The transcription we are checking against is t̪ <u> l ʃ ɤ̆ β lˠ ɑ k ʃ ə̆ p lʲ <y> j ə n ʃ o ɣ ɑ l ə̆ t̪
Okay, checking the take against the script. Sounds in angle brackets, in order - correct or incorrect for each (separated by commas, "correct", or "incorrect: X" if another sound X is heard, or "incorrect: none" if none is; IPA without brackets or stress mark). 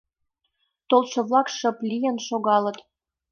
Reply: incorrect: o, incorrect: i